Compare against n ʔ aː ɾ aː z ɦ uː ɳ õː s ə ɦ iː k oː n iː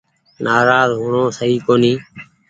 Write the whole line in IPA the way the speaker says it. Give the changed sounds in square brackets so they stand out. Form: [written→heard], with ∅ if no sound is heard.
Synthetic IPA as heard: n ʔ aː ɾ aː z ɦ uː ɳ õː s ə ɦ iː k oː n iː